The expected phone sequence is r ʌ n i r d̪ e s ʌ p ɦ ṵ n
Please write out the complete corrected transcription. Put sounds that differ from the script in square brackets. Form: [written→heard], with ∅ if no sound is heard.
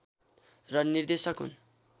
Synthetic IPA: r ʌ n i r d̪ e s ʌ [p→k] ɦ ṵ n